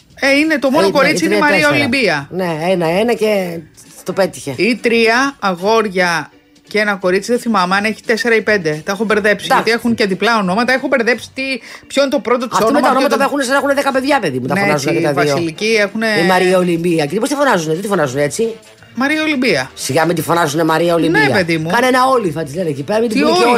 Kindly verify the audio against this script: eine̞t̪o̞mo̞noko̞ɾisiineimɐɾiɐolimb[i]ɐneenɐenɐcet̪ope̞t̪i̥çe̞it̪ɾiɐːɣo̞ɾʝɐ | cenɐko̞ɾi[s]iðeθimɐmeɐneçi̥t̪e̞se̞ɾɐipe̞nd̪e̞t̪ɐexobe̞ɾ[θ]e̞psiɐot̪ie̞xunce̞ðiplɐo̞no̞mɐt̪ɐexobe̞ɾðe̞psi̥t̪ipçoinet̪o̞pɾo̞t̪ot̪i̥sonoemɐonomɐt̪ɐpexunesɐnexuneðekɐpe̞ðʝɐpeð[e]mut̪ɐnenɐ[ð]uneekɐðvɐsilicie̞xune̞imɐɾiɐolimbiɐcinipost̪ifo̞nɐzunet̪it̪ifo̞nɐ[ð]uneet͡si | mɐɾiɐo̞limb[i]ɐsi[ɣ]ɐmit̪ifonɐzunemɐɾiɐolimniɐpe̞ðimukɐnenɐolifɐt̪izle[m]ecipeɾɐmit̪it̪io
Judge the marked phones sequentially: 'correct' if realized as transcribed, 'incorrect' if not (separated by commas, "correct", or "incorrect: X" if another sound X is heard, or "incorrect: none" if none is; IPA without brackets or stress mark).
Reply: correct, incorrect: t͡s, incorrect: ð, incorrect: i, incorrect: z, incorrect: z, correct, correct, incorrect: n